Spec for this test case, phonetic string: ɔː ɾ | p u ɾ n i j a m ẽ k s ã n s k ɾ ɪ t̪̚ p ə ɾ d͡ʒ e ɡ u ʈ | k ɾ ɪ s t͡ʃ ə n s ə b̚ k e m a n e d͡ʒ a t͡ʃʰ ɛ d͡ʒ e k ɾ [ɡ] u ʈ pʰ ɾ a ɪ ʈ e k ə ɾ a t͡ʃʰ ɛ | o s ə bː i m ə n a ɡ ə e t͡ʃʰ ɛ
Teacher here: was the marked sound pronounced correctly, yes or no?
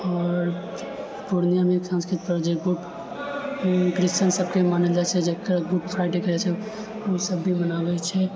yes